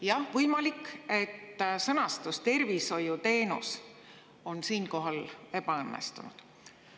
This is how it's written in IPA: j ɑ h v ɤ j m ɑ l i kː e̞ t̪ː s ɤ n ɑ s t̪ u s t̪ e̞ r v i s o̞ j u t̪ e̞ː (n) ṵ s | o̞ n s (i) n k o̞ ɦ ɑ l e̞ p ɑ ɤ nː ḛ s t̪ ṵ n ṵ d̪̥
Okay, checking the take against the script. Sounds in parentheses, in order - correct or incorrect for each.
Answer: correct, incorrect: iː

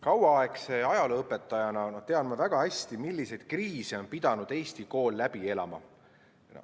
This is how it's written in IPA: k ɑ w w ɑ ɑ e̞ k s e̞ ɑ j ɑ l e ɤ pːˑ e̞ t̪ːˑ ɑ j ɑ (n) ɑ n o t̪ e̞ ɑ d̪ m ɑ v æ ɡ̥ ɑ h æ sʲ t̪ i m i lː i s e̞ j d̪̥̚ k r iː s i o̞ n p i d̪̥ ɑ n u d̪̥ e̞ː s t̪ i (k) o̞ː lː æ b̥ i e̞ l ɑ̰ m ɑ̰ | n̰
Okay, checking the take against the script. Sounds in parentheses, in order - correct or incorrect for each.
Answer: correct, correct

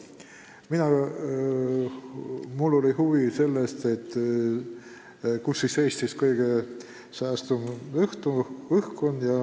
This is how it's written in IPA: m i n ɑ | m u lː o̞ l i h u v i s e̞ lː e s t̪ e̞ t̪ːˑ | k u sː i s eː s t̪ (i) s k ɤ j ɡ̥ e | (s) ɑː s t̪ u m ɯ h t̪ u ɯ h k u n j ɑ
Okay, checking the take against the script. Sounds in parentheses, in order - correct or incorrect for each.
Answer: correct, correct

